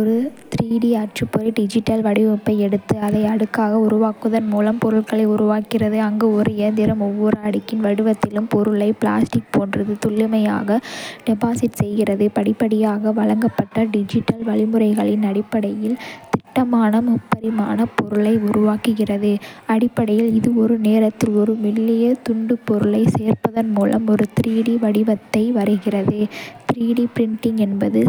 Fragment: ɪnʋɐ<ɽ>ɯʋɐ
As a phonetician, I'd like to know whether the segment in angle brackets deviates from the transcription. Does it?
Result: no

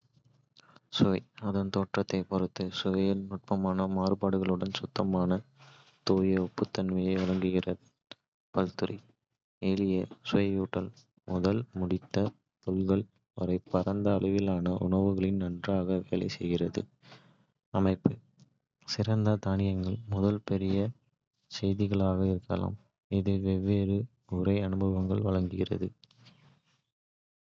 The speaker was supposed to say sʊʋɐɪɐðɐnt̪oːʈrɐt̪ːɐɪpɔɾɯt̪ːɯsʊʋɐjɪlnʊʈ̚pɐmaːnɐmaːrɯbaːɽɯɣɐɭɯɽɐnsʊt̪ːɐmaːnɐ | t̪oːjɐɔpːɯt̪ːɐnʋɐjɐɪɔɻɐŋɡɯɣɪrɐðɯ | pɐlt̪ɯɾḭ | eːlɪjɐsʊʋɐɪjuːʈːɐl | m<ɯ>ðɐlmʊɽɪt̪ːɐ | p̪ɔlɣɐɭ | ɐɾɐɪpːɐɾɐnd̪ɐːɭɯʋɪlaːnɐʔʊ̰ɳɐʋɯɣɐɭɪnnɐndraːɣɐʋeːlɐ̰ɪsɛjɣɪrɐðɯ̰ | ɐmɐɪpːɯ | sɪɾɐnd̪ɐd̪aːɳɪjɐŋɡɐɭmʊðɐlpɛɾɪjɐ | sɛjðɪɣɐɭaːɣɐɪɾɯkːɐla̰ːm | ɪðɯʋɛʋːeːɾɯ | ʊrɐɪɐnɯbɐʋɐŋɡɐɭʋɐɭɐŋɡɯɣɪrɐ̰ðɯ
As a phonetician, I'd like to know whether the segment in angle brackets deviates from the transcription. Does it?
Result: yes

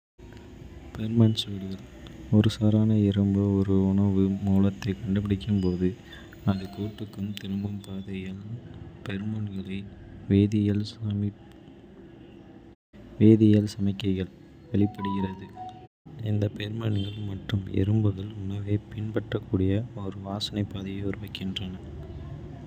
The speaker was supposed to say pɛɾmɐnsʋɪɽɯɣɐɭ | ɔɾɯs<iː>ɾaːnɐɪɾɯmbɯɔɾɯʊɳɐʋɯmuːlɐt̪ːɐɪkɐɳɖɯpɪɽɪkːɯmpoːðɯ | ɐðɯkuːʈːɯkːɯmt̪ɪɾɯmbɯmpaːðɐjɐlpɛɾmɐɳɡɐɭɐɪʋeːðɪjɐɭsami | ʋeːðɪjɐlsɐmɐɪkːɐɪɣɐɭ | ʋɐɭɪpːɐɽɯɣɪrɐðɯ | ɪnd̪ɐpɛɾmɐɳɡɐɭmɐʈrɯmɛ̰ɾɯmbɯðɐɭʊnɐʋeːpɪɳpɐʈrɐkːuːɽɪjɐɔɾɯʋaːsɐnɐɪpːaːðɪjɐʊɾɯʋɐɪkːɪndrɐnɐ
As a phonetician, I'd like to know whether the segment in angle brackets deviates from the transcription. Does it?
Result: yes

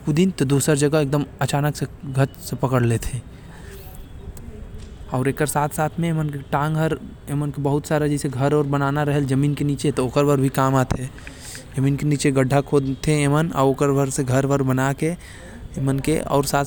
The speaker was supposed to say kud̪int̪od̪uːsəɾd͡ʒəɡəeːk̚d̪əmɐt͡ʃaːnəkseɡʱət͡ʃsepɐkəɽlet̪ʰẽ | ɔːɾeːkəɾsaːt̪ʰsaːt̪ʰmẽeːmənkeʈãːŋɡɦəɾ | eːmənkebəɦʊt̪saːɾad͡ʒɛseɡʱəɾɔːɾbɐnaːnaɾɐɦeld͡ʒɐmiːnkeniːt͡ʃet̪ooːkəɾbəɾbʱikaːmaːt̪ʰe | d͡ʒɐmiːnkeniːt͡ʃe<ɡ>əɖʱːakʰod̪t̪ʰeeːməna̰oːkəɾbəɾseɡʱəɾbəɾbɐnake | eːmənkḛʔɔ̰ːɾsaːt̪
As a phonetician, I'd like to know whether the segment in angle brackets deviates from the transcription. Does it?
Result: no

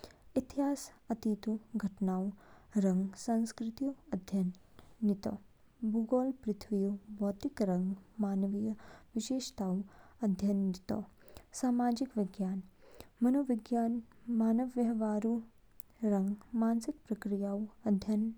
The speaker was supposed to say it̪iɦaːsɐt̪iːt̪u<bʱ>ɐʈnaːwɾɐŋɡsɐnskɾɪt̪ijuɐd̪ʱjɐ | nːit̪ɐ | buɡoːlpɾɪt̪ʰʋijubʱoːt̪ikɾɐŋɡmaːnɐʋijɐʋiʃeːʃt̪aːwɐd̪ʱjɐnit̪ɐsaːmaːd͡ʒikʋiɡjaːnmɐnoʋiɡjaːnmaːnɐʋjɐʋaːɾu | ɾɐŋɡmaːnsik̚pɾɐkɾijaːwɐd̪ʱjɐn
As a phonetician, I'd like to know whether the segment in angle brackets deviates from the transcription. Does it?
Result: yes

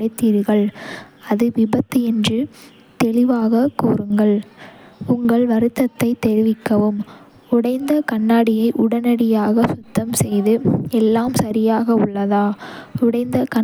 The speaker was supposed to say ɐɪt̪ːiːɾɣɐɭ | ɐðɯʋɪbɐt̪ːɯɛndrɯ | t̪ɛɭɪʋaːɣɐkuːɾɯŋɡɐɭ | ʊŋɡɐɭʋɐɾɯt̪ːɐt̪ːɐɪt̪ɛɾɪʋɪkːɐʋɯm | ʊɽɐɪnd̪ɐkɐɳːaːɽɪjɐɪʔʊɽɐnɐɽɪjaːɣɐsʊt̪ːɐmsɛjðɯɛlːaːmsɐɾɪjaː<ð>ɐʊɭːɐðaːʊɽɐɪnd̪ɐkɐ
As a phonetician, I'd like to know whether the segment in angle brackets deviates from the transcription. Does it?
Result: yes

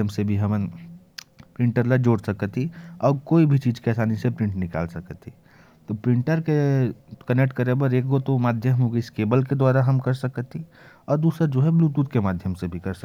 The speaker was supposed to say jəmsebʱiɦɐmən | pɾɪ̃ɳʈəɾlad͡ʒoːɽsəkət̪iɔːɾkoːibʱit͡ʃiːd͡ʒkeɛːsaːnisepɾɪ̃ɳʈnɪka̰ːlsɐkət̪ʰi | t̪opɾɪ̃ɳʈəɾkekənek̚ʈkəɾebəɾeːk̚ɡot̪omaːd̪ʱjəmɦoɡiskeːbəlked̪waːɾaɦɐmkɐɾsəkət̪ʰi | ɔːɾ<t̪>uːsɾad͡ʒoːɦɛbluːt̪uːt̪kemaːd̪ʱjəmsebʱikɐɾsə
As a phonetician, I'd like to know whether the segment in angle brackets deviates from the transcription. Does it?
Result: yes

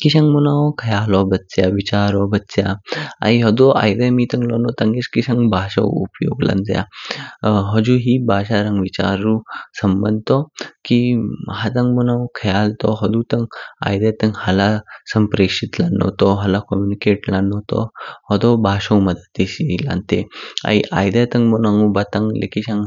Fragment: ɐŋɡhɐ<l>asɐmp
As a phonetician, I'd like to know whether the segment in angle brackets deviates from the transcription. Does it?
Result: no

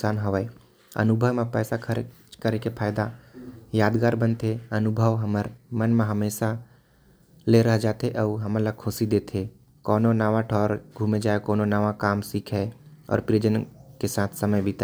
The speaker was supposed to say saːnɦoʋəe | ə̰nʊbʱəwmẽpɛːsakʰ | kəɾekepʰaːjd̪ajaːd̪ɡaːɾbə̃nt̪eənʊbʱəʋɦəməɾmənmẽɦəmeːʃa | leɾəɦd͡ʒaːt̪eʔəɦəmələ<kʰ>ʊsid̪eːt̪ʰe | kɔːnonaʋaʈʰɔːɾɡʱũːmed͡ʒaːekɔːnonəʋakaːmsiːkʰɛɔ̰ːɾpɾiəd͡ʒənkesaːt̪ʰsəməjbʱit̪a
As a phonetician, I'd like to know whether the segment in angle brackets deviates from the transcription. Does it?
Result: no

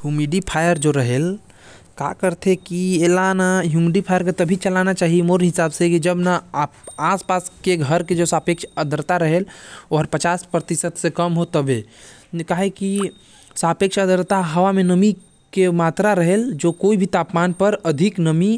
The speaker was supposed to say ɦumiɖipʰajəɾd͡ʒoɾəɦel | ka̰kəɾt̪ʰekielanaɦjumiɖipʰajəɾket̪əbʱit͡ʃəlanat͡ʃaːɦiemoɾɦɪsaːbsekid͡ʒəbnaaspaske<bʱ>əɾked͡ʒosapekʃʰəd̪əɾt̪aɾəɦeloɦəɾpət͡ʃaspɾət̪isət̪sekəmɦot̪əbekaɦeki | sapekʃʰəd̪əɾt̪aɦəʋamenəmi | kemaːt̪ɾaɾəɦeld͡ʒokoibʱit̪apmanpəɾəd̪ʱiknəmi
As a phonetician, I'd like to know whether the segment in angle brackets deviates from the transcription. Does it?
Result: yes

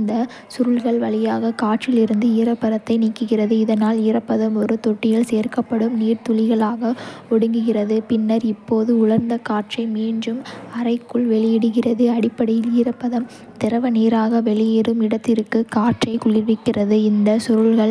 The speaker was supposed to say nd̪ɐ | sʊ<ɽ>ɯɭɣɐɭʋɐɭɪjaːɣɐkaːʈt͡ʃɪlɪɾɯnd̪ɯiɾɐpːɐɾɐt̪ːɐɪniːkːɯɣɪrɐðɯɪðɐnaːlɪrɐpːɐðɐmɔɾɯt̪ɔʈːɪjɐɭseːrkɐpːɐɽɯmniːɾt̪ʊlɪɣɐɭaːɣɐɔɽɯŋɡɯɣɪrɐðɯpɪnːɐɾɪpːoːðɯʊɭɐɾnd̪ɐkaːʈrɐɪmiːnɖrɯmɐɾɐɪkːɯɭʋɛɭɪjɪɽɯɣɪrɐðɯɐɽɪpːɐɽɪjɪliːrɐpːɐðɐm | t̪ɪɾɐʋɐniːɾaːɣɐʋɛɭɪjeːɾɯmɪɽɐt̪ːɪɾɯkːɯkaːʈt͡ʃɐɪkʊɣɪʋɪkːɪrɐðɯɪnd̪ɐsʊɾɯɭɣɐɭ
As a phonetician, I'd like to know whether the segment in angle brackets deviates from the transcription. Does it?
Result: yes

